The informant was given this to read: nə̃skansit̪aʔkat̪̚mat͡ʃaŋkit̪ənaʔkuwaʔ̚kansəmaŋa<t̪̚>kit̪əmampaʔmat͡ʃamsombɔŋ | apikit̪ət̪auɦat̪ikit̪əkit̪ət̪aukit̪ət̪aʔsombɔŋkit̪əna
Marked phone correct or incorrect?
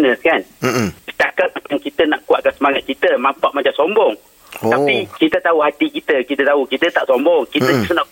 correct